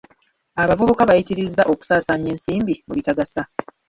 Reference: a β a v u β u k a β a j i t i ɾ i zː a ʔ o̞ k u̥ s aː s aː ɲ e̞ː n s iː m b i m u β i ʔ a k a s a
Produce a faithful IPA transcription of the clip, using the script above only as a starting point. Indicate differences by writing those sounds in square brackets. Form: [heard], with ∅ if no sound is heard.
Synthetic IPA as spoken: a β a v u β u k a β a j i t i ɾ i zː a ʔ o̞ k u̥ s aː s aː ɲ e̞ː n s iː m b i m u β i [t] a [ɡ] a s a